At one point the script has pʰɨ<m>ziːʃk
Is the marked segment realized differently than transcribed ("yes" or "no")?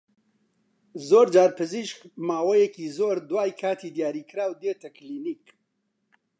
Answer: yes